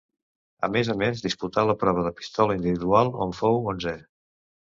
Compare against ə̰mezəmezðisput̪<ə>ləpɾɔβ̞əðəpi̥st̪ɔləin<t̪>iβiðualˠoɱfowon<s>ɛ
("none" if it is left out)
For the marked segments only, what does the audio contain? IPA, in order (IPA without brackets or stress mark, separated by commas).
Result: a, d̪, z